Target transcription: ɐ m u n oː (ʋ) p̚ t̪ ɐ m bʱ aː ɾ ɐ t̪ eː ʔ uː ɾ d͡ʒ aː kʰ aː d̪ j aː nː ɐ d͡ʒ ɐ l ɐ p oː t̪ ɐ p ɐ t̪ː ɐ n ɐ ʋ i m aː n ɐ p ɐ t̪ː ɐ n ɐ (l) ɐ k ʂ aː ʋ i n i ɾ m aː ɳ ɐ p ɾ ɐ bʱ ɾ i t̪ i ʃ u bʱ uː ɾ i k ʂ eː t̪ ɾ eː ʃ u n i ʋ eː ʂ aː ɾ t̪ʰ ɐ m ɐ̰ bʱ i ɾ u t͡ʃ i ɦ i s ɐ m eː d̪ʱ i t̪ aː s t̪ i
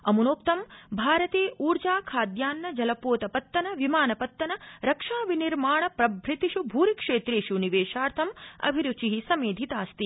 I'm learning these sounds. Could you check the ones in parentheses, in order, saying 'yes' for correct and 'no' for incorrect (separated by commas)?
no, no